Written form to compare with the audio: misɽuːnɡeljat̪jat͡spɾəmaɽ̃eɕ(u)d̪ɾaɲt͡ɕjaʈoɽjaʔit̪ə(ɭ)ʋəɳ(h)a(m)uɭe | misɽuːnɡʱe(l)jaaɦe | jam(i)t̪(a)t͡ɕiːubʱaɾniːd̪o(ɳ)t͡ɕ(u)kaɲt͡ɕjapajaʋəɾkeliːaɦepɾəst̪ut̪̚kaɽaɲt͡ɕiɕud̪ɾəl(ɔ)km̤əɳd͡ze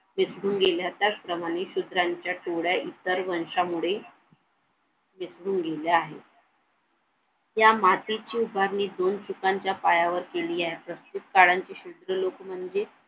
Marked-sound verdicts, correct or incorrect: correct, incorrect, incorrect, correct, correct, incorrect, incorrect, incorrect, correct, incorrect

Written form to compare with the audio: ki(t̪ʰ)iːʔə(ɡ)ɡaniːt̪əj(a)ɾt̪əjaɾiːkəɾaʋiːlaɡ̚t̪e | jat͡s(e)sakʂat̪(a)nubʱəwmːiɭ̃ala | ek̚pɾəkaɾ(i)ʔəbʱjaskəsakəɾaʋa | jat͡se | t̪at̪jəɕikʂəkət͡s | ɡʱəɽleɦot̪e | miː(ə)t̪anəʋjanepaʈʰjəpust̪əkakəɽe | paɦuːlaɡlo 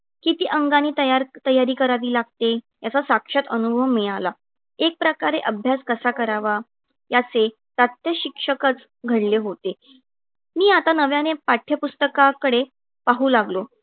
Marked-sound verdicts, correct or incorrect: incorrect, incorrect, correct, incorrect, incorrect, incorrect, incorrect

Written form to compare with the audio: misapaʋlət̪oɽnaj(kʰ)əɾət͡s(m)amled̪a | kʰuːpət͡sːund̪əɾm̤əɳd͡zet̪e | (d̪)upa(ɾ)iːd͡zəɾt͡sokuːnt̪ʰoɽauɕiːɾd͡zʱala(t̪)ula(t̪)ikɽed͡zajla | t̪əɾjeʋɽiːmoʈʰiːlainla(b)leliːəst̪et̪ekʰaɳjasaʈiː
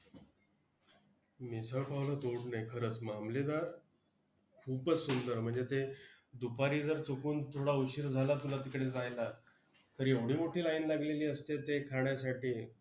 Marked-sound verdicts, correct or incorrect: correct, correct, correct, correct, correct, correct, incorrect

